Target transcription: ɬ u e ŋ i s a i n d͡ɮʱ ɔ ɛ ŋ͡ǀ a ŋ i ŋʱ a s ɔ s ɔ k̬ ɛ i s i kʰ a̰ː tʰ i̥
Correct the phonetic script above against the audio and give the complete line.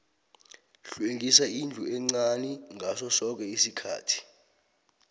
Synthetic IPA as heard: ɬ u e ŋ i s a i n d͡ɮʱ u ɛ ŋ͡ǀ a n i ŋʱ a s ɔ s ɔ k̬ ɛ i s i kʰ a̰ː tʰ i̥